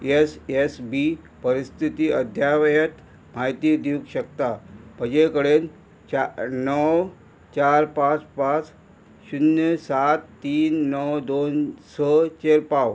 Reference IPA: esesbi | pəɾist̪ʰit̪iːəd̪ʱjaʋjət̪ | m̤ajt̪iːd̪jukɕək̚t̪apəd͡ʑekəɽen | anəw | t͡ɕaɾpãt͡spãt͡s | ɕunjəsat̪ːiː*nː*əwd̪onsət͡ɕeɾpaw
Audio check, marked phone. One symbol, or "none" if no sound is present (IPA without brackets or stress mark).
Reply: nː